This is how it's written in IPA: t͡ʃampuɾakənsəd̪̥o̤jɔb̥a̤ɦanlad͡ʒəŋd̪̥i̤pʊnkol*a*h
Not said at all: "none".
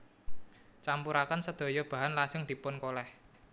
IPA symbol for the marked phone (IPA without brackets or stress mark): ɛ